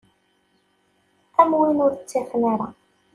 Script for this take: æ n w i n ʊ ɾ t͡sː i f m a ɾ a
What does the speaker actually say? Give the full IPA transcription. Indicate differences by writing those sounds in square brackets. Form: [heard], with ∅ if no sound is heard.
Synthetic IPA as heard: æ [m] w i n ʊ ɾ t͡sː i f [n] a ɾ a